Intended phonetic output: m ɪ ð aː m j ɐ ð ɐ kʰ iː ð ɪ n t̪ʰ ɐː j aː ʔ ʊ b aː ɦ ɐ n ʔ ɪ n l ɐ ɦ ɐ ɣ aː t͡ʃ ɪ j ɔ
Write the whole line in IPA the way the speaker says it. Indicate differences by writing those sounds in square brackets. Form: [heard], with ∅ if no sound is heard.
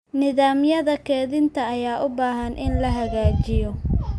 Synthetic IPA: [n] ɪ ð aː m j ɐ ð ɐ kʰ [ɛː] ð ɪ n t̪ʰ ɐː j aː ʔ ʊ b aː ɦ ɐ n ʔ ɪ n l ɐ ɦ ɐ ɣ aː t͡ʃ ɪ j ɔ